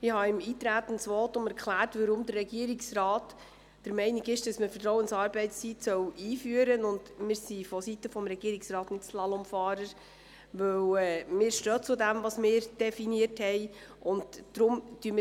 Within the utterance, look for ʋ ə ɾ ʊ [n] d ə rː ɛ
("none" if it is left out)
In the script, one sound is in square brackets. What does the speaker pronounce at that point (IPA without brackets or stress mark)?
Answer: m